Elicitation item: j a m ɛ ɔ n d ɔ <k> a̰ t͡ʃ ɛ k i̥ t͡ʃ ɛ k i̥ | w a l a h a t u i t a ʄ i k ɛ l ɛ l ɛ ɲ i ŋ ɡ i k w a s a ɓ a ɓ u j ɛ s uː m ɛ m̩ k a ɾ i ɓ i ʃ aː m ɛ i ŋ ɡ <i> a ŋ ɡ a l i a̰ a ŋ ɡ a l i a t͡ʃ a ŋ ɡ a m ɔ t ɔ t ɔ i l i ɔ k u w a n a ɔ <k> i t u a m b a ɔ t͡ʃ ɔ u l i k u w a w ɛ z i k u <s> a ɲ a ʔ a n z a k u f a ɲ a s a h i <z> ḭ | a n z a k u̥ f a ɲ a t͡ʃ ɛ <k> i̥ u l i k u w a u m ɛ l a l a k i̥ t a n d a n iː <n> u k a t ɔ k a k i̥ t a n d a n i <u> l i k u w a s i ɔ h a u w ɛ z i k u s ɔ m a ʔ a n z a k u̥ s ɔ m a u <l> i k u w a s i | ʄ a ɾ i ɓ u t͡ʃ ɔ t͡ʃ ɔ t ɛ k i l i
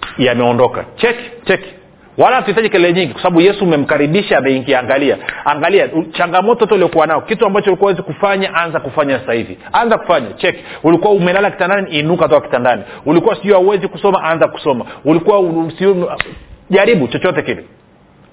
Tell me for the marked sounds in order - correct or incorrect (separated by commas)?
correct, correct, correct, incorrect, incorrect, correct, correct, correct, correct